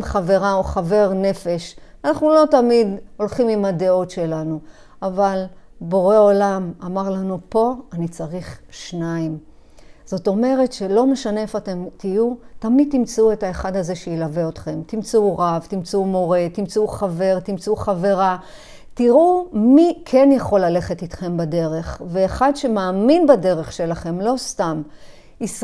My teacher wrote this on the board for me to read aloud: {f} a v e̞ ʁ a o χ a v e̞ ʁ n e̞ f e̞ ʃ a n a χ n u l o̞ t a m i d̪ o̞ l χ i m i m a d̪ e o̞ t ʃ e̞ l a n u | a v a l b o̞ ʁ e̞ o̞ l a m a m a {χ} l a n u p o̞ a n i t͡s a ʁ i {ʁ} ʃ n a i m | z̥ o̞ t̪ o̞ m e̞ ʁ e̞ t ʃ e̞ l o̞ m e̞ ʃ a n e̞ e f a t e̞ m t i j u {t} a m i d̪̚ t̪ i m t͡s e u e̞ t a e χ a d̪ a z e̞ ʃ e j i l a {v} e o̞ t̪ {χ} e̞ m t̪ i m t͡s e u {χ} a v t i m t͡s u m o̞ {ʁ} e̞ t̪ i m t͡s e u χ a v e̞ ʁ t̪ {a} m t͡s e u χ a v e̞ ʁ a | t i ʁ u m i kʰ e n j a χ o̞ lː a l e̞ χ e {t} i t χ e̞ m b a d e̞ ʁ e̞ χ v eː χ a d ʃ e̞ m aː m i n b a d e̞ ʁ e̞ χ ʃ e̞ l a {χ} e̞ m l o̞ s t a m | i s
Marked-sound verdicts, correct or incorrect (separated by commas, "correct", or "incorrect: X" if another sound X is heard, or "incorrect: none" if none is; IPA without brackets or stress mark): incorrect: χ, incorrect: ʁ, incorrect: χ, correct, correct, correct, incorrect: ʁ, correct, incorrect: i, correct, correct